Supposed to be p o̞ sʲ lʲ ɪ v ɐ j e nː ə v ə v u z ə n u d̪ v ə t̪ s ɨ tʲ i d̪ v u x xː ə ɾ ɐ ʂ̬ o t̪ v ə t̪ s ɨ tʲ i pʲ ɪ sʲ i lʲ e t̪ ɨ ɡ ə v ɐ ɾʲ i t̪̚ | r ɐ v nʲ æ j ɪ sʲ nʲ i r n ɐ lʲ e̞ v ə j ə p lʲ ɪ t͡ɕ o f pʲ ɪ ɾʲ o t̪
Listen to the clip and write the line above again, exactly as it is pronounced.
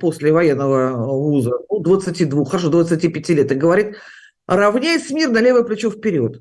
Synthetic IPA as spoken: p o̞ sʲ lʲ ɪ v ɐ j e nː ə v ə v u z ə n u d̪ v ə t̪ s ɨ tʲ i d̪ v u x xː ə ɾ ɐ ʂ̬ o d̪ v ə t̪ s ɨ tʲ i pʲ ɪ tʲ i lʲ e t̪ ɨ ɡ ə v ɐ ɾʲ i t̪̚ | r ɐ v nʲ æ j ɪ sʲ mʲ i r n ɐ lʲ e̞ v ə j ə p lʲ ɪ t͡ɕ o f pʲ ɪ ɾʲ o t̪